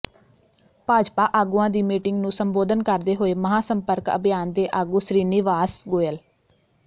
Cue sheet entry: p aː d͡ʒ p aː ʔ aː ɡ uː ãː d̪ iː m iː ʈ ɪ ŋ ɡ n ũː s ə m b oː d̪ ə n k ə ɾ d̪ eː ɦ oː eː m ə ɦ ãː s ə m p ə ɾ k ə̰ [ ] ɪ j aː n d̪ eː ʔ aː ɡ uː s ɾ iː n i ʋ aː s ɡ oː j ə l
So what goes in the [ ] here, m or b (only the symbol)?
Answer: b